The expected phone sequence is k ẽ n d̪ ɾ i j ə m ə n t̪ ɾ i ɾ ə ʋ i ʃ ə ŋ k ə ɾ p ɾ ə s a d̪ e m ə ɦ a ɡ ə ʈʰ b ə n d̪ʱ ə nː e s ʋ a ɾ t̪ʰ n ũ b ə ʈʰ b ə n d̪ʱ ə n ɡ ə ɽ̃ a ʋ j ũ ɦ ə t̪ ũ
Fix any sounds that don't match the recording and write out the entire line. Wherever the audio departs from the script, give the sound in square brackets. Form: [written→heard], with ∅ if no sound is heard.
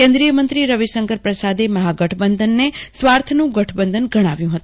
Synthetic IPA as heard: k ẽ n d̪ ɾ i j ə m ə n t̪ ɾ i ɾ ə ʋ i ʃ ə ŋ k ə ɾ p ɾ ə s a d̪ e m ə ɦ a ɡ ə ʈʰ b ə n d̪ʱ ə nː e s ʋ a ɾ t̪ʰ n ũ [b→ɡ] ə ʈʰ b ə n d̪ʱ ə n ɡ ə ɽ̃ a ʋ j ũ ɦ ə t̪ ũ